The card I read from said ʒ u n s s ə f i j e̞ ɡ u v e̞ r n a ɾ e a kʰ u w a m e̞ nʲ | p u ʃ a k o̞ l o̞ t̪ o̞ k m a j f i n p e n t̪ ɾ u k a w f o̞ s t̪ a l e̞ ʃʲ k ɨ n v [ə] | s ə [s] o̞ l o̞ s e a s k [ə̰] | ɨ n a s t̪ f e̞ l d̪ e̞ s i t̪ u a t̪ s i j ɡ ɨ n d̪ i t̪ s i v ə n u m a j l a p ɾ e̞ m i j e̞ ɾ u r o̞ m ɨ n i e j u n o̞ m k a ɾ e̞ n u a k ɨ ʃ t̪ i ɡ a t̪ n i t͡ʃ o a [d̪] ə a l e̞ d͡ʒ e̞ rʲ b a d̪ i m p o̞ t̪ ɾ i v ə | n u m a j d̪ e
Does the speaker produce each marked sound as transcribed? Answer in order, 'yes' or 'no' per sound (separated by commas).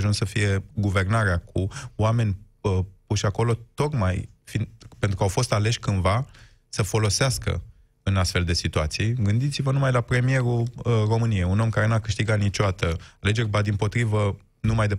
no, no, yes, no